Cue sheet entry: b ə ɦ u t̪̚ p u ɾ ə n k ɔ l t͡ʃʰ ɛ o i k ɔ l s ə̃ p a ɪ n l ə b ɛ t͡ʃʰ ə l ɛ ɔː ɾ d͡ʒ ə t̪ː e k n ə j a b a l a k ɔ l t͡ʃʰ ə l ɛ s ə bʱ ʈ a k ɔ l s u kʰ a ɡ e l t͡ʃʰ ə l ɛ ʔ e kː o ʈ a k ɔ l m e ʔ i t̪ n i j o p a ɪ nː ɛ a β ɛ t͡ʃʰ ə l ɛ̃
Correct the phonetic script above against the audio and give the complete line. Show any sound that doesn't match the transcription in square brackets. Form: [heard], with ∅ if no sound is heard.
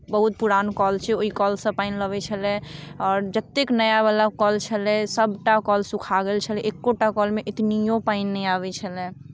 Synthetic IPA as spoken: b ə ɦ u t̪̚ p u ɾ [a] n k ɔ l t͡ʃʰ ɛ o i k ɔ l s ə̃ p a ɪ n l ə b ɛ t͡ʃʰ ə l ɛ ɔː ɾ d͡ʒ ə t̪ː e k n ə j a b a l a k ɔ l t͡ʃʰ ə l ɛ s ə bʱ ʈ a k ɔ l s u kʰ a ɡ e l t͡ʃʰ ə l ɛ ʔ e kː o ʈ a k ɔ l m e ʔ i t̪ n i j o p a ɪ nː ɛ a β ɛ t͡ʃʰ ə l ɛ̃